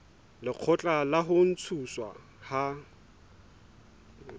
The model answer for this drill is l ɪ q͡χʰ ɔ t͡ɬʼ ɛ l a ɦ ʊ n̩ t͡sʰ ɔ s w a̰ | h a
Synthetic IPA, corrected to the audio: l ɪ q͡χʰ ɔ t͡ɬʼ a l a ɦ ʊ n̩ t͡sʰ u s w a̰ | h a